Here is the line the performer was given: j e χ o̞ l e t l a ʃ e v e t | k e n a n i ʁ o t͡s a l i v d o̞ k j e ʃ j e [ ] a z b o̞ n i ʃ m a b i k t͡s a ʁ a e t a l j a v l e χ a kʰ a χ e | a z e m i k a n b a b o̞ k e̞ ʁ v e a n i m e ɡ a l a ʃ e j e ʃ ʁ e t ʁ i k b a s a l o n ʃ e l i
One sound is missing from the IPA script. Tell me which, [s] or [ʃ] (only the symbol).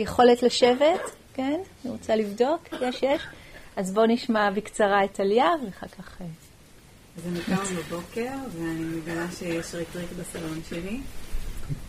ʃ